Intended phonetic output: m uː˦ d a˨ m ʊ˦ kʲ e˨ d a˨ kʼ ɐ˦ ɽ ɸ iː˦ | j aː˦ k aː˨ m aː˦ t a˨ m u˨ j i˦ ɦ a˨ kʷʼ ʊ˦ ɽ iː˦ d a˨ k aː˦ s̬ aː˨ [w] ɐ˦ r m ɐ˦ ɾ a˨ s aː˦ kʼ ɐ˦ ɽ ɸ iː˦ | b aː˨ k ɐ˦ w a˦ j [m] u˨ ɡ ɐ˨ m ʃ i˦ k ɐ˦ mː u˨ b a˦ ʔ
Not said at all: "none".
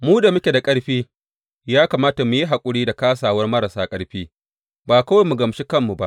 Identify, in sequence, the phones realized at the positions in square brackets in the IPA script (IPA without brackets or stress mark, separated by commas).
w, m